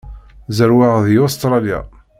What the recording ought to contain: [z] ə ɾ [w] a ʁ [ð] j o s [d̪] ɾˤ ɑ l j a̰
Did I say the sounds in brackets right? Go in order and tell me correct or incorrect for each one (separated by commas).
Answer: correct, correct, correct, incorrect